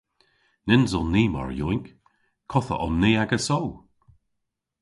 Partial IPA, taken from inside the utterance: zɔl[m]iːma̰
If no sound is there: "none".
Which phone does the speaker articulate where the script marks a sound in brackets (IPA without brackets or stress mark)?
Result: n